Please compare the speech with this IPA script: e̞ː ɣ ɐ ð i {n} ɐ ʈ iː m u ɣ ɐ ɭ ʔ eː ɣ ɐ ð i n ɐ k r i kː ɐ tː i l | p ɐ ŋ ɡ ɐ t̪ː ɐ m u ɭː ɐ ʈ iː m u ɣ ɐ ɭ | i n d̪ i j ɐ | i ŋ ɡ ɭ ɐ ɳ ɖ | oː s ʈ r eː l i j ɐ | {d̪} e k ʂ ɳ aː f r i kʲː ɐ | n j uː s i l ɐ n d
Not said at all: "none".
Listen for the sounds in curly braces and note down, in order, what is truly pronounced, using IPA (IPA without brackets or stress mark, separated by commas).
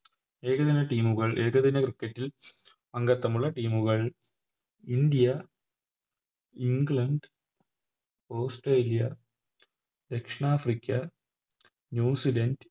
n, d̪